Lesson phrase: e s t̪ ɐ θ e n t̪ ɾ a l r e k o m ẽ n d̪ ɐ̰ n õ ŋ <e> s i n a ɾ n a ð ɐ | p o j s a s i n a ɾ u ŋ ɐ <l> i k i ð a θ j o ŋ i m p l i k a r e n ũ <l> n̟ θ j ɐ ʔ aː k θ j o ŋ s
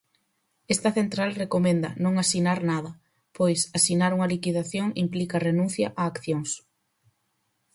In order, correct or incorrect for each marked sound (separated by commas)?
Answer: incorrect, correct, incorrect